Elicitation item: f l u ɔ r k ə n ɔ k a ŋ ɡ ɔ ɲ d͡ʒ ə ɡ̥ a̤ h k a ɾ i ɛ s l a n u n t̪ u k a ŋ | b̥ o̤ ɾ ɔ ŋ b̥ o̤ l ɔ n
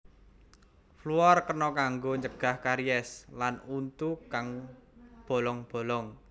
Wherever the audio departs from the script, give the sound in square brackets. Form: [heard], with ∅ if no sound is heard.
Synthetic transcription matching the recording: f l u ɔ r k ə n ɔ k a ŋ ɡ [o] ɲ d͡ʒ ə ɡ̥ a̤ h k a ɾ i ɛ s l a n u n t̪ u k a ŋ | b̥ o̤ [l] ɔ ŋ b̥ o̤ l ɔ [ŋ]